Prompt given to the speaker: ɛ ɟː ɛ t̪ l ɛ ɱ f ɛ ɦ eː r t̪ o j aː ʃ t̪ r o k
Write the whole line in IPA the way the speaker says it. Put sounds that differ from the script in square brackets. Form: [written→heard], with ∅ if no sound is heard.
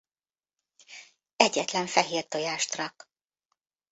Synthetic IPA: ɛ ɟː ɛ t̪ l ɛ ɱ f ɛ ɦ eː r t̪ o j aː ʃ t̪ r [o→ɒ] k